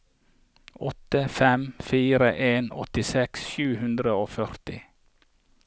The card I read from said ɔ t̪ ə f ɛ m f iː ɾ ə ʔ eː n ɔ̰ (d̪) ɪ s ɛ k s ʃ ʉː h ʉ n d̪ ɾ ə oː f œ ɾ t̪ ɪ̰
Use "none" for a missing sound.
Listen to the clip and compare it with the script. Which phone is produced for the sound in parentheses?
t̪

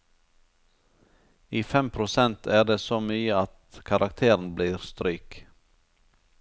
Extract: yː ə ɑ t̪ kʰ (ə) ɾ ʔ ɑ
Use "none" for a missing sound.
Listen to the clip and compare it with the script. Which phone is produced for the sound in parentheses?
ɑ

